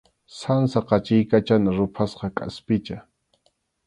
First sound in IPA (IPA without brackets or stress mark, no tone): s